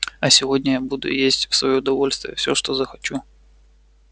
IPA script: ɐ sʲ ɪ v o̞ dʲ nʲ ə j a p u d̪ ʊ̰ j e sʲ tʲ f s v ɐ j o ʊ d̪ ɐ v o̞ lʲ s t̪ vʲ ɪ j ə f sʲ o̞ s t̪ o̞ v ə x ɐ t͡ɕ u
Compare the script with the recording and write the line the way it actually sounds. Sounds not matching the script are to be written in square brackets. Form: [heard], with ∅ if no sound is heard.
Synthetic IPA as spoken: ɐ sʲ ɪ v o̞ dʲ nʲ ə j a [b] u d̪ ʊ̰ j e sʲ tʲ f s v ɐ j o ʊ d̪ ɐ v o̞ lʲ s t̪ vʲ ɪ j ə f sʲ o̞ [ʂ] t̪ o̞ [z] ə x ɐ t͡ɕ u